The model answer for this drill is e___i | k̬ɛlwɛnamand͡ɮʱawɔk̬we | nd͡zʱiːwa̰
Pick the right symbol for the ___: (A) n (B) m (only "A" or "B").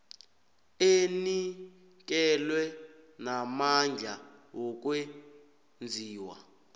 A